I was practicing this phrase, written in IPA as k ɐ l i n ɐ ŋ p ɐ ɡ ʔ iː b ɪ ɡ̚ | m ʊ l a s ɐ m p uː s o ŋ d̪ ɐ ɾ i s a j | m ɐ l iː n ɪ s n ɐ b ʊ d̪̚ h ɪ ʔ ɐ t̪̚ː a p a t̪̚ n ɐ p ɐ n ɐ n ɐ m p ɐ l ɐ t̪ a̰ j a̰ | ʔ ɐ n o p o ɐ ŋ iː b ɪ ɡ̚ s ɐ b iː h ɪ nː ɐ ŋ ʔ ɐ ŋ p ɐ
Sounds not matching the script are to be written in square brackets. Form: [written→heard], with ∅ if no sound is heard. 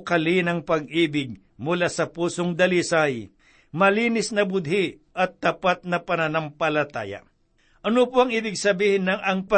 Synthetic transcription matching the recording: k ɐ l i n ɐ ŋ p ɐ ɡ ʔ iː b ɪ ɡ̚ | m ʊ l a s ɐ [m→∅] p uː s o ŋ d̪ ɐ [ɾ→l] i s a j | m ɐ l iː n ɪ s n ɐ b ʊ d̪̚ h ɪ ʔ ɐ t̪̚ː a p a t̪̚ n ɐ p ɐ n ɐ n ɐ m p ɐ l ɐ t̪ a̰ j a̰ | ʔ ɐ n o p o ɐ ŋ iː b ɪ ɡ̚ s ɐ b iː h ɪ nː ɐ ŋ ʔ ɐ ŋ p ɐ